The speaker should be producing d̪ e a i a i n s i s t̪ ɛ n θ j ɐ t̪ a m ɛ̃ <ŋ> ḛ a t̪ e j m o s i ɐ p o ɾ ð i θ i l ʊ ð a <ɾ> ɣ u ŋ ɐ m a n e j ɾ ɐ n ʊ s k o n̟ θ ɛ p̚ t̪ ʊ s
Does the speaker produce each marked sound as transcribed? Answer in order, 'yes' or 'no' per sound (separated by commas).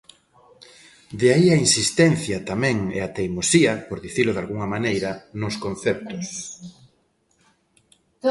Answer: yes, no